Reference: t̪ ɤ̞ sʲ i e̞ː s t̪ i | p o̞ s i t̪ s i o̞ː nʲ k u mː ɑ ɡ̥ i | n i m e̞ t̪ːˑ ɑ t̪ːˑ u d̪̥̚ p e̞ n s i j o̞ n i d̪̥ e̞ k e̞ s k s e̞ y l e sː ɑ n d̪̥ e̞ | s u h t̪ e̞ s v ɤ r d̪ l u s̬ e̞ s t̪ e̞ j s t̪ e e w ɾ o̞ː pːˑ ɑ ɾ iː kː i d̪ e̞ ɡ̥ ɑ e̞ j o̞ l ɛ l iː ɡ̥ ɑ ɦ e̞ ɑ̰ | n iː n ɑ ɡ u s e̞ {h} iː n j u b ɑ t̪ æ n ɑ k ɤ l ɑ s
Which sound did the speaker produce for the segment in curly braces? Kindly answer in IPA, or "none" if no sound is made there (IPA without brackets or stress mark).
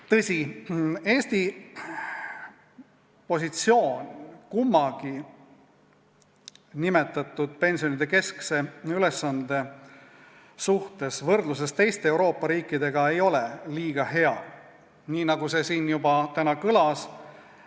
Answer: s